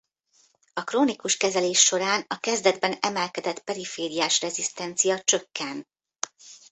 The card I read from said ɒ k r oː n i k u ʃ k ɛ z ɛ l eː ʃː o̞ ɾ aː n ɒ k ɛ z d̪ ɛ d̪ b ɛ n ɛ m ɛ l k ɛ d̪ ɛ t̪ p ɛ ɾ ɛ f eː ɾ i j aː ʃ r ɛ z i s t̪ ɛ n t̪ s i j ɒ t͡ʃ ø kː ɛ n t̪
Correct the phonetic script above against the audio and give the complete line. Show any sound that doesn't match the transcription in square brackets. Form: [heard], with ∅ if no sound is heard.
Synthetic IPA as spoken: ɒ k r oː n i k u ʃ k ɛ z ɛ l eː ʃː o̞ ɾ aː n ɒ k ɛ z d̪ ɛ d̪ b ɛ n ɛ m ɛ l k ɛ d̪ ɛ t̪ p ɛ ɾ [i] f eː ɾ i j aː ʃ r ɛ z i s t̪ ɛ n t̪ s i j ɒ t͡ʃ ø kː ɛ n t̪